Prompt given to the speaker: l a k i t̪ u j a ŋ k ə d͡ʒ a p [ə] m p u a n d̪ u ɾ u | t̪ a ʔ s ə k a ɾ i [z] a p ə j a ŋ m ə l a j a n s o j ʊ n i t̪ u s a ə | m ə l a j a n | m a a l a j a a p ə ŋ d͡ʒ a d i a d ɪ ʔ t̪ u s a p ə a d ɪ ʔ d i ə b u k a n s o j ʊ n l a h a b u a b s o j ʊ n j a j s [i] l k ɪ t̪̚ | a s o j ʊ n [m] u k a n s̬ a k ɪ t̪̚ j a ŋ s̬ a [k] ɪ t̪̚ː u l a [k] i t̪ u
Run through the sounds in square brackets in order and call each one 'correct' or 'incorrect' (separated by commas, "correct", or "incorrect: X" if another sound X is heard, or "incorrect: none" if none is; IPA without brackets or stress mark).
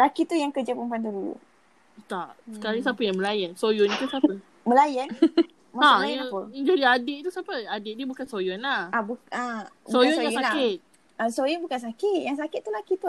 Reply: correct, incorrect: s, incorrect: a, incorrect: b, correct, correct